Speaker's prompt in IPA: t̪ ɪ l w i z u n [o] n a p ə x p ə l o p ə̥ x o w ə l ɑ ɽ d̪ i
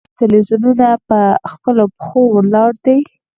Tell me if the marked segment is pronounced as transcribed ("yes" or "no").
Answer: no